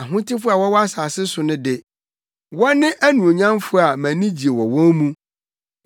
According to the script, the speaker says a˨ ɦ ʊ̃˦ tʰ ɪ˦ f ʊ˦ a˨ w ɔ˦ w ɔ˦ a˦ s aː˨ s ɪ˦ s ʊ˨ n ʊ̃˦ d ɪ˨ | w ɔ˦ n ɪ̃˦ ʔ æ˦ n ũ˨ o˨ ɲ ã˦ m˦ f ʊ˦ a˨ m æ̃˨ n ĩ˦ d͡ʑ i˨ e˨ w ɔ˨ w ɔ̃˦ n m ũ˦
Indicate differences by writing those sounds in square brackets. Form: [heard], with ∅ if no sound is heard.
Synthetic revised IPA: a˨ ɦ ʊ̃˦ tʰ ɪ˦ f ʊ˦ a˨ w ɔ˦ w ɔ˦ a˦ s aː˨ s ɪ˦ s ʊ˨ n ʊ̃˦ d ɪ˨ | w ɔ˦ n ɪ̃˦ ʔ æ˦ n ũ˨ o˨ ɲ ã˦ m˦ f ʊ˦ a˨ m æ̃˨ n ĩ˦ d͡ʑ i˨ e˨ w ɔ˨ w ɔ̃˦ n m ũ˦